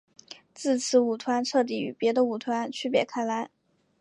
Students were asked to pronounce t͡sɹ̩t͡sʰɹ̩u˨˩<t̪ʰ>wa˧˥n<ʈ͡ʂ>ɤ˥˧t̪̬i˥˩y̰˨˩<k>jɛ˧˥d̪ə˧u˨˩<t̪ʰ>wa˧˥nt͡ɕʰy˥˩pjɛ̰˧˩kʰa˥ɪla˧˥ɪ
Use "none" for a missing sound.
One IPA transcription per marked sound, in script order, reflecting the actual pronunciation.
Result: t̪ʰ, ʈ͡ʂʰ, p, t̪ʰ

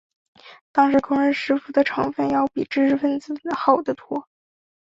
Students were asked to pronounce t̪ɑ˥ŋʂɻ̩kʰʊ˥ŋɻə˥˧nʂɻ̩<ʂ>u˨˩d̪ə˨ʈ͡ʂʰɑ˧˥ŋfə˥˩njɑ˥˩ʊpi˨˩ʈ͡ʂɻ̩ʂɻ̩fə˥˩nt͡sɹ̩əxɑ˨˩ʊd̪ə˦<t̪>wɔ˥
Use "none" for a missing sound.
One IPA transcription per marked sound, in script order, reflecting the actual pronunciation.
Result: f, t̪ʰ

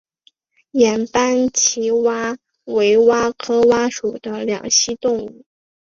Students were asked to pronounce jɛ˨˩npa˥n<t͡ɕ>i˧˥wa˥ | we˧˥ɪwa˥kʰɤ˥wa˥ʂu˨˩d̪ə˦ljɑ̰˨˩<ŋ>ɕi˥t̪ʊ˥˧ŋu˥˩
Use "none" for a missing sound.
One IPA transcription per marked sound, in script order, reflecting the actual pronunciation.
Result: t͡ɕʰ, ŋ

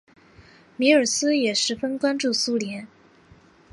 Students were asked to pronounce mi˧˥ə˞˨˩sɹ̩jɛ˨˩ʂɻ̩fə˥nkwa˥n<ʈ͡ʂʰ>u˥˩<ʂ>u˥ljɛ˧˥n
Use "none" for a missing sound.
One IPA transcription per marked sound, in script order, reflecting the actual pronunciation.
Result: ʈ͡ʂ, s

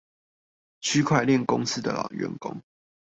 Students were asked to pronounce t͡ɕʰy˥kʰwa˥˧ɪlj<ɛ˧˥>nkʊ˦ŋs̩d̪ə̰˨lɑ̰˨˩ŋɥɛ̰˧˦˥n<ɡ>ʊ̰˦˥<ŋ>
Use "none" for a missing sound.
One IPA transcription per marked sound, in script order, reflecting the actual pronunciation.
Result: ɛ˥˨, k, ŋ

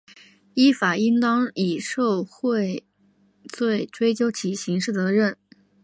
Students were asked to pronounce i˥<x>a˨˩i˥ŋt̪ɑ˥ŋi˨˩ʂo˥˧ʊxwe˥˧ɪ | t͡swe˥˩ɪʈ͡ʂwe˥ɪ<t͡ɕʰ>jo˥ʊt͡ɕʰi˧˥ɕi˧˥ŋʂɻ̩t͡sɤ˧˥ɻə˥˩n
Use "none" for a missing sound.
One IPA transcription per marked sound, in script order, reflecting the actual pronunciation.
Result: f, t͡ɕ

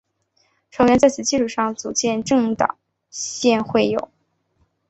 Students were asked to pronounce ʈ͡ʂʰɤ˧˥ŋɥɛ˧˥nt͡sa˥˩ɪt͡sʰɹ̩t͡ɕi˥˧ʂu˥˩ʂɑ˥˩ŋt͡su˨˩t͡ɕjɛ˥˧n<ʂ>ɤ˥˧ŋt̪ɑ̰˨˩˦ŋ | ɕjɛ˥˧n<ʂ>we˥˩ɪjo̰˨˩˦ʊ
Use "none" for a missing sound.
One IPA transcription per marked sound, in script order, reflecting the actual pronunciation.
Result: ʈ͡ʂ, x

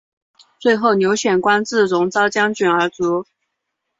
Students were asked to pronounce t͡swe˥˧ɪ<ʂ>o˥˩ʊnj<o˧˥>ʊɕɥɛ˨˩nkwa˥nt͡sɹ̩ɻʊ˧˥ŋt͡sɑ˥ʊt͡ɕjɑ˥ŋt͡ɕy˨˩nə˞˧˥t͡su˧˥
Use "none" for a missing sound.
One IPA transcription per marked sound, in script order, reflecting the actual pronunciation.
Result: x, o˧˥

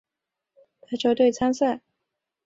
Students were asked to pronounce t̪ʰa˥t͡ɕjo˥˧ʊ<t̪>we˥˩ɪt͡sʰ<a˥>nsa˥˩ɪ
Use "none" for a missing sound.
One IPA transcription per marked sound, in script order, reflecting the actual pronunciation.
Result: t̪, a˥

